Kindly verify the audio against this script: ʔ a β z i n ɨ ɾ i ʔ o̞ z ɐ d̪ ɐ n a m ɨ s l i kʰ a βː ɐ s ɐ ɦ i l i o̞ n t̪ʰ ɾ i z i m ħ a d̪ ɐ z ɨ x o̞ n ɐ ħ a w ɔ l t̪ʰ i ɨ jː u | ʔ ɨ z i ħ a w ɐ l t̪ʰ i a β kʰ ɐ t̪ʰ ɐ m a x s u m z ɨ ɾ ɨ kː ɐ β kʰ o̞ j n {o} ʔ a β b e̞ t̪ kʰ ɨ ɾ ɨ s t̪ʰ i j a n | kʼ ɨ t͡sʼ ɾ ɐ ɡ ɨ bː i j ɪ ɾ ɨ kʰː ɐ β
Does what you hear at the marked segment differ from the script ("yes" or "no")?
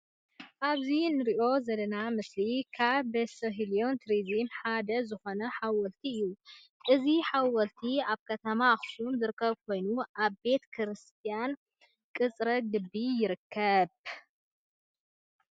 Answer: yes